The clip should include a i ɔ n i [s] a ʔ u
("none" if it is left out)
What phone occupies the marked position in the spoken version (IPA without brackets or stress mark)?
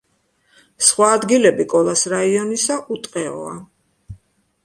s